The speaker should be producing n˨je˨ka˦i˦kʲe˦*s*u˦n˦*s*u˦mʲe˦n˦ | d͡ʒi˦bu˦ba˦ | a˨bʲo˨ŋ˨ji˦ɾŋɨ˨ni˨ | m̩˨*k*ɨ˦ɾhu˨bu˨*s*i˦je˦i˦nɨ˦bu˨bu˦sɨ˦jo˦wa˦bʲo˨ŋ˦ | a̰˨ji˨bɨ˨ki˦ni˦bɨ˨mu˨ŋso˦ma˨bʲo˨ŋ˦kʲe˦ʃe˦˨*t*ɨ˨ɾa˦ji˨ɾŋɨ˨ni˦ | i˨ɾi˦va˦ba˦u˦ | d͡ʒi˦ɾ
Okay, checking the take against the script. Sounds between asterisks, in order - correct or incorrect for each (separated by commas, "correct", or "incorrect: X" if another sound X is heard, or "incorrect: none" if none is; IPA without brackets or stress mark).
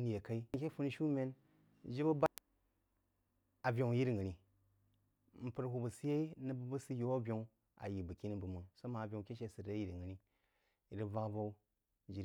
incorrect: f, incorrect: ʃ, incorrect: p, correct, incorrect: s